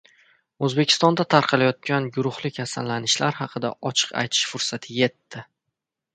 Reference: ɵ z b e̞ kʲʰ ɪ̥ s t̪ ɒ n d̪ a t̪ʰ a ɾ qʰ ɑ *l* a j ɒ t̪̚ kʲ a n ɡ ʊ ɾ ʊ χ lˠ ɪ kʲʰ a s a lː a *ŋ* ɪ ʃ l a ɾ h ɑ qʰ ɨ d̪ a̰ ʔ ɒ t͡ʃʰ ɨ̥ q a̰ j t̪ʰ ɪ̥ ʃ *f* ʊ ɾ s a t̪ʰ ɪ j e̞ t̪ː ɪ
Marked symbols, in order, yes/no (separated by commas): yes, no, yes